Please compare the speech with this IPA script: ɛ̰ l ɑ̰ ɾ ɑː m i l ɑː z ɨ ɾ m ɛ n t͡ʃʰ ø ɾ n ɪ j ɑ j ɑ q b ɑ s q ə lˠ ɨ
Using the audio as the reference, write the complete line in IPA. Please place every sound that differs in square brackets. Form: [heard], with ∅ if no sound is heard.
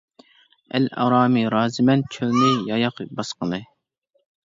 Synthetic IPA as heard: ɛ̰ l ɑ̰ ɾ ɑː m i [ɾ] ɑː z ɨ [∅] m ɛ n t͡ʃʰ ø [l] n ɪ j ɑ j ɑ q b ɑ s q ə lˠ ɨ